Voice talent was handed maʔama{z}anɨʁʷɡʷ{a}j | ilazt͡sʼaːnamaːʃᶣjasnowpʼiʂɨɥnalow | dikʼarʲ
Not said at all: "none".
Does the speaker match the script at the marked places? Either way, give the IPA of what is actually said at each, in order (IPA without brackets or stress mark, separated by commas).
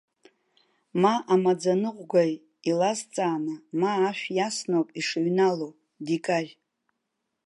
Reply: d͡z, a